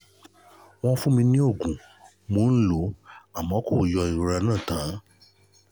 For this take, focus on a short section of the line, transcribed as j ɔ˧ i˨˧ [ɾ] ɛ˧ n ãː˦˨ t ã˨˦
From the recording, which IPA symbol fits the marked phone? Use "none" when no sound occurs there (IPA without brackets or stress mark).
ɾ